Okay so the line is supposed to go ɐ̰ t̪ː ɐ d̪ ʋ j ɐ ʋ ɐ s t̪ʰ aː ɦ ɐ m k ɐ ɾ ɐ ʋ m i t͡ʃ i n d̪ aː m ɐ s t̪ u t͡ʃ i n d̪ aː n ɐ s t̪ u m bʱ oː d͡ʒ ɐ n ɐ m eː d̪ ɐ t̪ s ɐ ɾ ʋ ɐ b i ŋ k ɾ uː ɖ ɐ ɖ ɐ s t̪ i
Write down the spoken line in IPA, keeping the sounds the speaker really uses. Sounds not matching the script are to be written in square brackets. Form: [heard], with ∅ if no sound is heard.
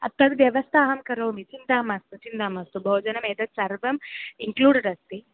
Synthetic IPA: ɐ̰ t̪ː ɐ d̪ ʋ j ɐ ʋ ɐ s t̪ʰ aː ɦ ɐ m k ɐ ɾ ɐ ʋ m i t͡ʃ i n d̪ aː m ɐ s t̪ u t͡ʃ i n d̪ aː [m] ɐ s t̪ u [∅] bʱ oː d͡ʒ ɐ n ɐ m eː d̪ ɐ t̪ s ɐ ɾ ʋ ɐ [m] i ŋ k [l] uː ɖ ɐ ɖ ɐ s t̪ i